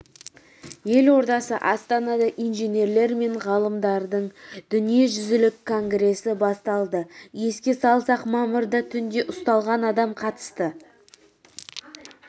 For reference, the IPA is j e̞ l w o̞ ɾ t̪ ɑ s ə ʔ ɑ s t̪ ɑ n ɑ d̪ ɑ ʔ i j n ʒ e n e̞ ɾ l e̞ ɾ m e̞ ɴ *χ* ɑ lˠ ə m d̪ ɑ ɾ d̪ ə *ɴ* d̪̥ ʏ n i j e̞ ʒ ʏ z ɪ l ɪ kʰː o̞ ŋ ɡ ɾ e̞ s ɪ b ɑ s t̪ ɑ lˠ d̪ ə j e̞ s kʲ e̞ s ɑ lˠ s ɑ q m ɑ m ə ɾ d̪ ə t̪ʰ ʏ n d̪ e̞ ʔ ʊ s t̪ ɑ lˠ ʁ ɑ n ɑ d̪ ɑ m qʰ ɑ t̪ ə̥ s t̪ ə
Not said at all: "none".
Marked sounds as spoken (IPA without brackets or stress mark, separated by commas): ʁ, ɴ